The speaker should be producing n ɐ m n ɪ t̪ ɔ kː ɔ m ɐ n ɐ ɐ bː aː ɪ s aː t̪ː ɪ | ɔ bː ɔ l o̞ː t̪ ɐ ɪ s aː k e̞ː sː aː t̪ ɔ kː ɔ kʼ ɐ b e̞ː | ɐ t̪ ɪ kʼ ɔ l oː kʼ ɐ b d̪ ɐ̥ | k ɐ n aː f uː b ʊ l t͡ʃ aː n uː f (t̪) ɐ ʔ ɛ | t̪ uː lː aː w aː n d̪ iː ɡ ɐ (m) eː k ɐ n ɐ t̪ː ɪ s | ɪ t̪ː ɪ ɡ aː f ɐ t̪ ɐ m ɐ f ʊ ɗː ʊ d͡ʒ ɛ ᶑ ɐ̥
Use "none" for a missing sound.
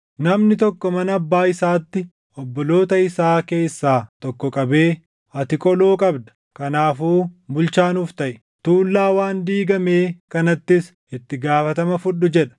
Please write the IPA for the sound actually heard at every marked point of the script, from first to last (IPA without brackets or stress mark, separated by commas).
t̪, m